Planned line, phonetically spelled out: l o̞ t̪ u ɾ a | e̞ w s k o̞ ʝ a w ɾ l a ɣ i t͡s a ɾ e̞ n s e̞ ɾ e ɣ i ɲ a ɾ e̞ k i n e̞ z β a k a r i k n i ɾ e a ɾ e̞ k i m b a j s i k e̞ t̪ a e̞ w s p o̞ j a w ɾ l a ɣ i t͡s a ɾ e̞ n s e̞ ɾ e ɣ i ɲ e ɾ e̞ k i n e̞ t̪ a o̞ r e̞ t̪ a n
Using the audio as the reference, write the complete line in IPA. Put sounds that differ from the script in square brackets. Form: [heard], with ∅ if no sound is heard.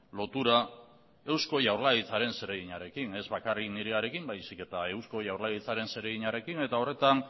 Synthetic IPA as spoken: l o̞ t̪ u ɾ a | e̞ w s k o̞ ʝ a w ɾ l a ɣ i t͡s a ɾ e̞ n s e̞ ɾ e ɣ i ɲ a ɾ e̞ k i n e̞ z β a k a r i k n i ɾ e a ɾ e̞ k i m b a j s i k e̞ t̪ a e̞ w s [k] o̞ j a w ɾ l a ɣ i t͡s a ɾ e̞ n s e̞ ɾ e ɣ i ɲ [a] ɾ e̞ k i n e̞ t̪ a o̞ r e̞ t̪ a n